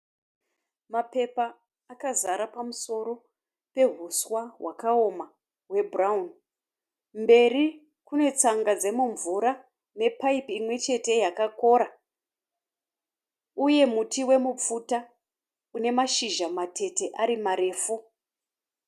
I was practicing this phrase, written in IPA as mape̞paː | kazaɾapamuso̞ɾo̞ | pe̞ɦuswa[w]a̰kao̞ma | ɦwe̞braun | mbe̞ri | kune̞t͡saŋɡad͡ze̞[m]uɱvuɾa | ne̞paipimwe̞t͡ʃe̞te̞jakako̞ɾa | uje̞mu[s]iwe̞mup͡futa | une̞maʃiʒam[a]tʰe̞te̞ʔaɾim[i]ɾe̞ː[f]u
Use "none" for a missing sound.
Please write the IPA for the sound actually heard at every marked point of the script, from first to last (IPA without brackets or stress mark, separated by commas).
w, m, t, a, a, f